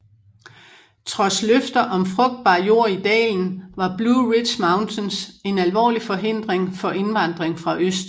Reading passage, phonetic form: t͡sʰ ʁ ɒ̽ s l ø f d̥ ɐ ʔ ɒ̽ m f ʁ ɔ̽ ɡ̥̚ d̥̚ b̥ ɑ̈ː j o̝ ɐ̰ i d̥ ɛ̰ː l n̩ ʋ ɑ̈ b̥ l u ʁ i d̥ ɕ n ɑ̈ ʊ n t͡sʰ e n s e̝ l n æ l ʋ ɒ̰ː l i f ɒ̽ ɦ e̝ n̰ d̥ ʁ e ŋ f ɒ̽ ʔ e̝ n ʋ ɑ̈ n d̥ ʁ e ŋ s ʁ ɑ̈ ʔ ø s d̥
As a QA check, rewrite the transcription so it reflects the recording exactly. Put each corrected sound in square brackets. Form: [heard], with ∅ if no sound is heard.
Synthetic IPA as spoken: t͡sʰ ʁ ɒ̽ s l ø f d̥ ɐ ʔ ɒ̽ m f ʁ ɔ̽ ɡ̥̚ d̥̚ b̥ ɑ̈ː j o̝ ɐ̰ i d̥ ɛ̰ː l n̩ ʋ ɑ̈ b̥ l u ʁ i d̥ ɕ [m] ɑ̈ ʊ n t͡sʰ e n s e̝ [∅] n æ l ʋ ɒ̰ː l i f ɒ̽ ɦ e̝ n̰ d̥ ʁ e ŋ f ɒ̽ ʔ e̝ n ʋ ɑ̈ n d̥ ʁ e ŋ [f] ʁ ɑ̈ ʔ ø s d̥